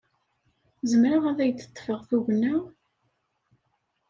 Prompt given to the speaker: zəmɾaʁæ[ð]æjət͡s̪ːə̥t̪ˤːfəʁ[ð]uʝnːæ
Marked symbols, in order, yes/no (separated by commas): yes, no